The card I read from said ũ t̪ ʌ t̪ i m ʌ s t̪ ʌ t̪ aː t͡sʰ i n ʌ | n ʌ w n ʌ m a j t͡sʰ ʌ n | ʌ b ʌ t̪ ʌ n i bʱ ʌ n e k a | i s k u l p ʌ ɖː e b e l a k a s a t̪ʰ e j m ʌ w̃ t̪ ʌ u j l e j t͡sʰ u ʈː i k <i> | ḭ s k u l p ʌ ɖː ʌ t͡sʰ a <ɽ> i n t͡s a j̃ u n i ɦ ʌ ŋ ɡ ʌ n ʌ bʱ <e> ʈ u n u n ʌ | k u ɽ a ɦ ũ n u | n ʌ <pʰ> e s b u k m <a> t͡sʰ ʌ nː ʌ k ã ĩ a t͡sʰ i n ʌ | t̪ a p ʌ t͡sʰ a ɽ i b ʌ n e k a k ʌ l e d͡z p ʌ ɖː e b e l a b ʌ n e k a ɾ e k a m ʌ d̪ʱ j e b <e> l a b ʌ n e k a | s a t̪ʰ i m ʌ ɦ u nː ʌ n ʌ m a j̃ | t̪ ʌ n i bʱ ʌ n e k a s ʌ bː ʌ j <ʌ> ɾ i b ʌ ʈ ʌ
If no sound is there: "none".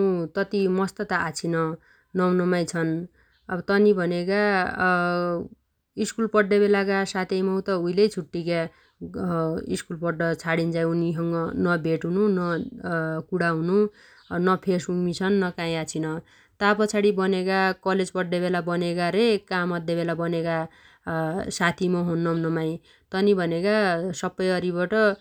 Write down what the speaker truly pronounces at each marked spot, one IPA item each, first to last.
a, ɽ, e, pʰ, i, e, ʌ

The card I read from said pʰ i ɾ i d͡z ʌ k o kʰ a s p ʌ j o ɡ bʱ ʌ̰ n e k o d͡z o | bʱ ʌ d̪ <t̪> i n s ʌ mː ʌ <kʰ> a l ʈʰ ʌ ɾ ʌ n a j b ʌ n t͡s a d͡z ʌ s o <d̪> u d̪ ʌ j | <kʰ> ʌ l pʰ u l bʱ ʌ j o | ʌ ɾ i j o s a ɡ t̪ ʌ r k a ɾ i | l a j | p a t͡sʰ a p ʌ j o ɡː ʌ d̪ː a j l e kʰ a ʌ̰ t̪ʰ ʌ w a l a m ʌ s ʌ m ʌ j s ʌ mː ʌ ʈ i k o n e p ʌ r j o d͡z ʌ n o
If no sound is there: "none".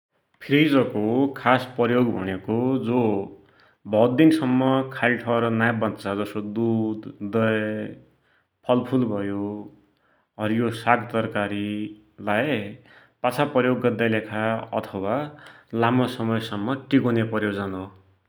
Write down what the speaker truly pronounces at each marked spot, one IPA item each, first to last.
d̪, kʰ, d̪, pʰ

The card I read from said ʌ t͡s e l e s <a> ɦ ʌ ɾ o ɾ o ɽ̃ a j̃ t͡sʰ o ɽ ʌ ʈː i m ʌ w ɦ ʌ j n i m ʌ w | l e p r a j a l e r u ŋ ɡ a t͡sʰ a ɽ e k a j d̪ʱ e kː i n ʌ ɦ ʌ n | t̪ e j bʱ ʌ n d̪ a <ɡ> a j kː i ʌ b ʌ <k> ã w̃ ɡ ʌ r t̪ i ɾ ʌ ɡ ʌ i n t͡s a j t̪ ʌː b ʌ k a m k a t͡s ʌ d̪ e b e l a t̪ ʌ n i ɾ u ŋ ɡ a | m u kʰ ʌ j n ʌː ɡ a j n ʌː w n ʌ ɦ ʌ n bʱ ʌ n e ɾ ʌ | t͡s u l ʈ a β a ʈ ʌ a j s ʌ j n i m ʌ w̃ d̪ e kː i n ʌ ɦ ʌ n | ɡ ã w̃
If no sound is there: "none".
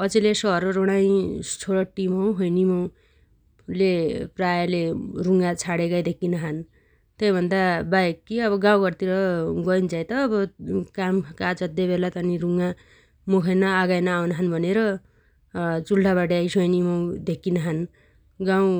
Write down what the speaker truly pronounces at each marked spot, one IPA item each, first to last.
ʌ, b, ɡ

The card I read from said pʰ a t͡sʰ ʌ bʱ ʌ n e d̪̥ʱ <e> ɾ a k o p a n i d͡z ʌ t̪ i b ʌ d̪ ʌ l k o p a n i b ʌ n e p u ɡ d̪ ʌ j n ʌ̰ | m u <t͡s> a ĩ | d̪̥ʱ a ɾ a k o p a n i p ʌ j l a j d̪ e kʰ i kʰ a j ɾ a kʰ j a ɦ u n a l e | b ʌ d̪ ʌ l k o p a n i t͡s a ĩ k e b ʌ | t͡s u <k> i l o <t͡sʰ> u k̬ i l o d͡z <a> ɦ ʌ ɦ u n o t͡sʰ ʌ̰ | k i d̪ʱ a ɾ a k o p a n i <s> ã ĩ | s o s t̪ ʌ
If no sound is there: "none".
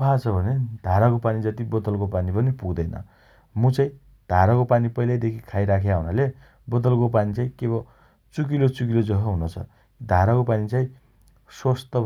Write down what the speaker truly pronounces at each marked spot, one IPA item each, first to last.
a, t͡s, k, t͡s, ʌ, t͡s

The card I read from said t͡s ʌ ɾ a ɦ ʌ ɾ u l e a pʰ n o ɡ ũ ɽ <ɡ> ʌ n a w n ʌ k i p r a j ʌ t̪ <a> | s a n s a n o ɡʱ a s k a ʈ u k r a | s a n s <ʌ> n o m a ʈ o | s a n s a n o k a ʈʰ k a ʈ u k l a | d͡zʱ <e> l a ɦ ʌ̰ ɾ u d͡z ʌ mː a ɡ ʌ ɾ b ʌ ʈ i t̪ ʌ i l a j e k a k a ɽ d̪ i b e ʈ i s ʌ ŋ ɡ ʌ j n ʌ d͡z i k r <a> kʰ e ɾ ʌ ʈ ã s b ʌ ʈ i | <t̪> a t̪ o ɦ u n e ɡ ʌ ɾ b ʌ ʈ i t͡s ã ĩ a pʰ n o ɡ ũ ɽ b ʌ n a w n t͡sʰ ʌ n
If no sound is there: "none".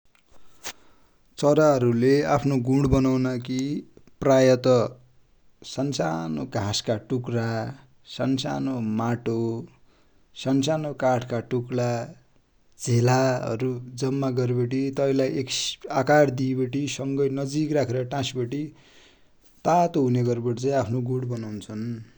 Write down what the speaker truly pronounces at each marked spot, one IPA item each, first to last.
b, ʌ, a, e, a, t̪

